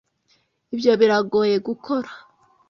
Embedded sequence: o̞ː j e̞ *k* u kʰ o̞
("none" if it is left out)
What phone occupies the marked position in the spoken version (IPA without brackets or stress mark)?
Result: ɡ